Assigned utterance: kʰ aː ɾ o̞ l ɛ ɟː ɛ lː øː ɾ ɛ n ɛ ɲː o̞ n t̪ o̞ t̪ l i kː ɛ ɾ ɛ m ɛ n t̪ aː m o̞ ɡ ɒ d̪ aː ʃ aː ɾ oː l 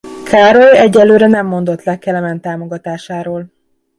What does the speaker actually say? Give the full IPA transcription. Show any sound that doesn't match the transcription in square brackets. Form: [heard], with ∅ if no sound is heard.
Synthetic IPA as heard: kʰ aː ɾ o̞ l ɛ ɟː ɛ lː øː ɾ ɛ n ɛ [mː] o̞ n [d̪] o̞ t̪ l [ɛ] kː ɛ [l] ɛ m ɛ n t̪ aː m o̞ ɡ ɒ [t̪] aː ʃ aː ɾ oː l